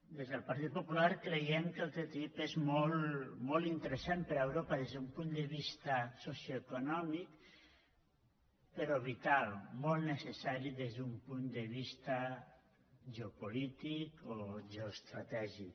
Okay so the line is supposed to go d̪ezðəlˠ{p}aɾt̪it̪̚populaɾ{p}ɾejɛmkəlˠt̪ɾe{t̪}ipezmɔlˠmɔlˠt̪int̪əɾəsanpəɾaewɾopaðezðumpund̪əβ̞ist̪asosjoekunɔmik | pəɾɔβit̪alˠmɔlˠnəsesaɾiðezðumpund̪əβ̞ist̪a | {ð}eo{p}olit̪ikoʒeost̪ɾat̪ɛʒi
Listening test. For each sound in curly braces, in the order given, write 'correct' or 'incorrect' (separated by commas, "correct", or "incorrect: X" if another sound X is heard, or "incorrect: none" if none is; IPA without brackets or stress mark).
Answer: correct, incorrect: k, correct, incorrect: ʒ, correct